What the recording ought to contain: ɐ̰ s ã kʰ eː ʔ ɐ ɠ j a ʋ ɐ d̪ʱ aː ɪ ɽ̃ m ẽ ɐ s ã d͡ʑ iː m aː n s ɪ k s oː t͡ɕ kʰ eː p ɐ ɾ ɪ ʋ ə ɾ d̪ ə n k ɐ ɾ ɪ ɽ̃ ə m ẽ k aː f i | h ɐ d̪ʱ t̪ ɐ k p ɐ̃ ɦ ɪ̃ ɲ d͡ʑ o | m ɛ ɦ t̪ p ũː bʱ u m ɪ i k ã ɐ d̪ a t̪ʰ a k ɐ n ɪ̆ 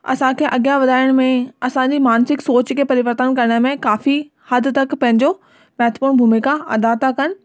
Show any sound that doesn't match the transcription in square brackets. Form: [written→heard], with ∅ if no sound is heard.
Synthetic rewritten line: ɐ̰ s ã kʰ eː ʔ ɐ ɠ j a ʋ ɐ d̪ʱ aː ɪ ɽ̃ m ẽ ɐ s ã d͡ʑ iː m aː n s ɪ k s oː t͡ɕ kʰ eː p ɐ ɾ ɪ ʋ ə ɾ [d̪→t̪] ə n k ɐ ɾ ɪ ɽ̃ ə m ẽ k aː f i | h ɐ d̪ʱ t̪ ɐ k p ɐ̃ ɦ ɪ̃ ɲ d͡ʑ o | m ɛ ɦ t̪ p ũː bʱ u m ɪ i k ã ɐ d̪ a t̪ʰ a k ɐ n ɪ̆